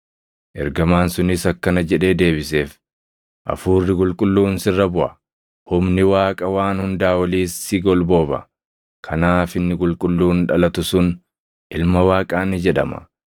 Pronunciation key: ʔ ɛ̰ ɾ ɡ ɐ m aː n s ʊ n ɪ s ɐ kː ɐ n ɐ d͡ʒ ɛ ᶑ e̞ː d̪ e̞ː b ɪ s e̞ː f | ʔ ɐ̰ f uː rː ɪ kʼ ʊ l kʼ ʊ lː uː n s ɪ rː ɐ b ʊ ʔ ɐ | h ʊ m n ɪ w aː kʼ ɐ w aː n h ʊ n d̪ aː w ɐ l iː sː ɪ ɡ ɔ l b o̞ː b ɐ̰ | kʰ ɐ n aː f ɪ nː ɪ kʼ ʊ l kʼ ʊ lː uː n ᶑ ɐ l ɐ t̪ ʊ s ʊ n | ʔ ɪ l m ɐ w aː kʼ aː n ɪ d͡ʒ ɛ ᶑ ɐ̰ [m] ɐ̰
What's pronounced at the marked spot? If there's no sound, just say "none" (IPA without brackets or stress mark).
m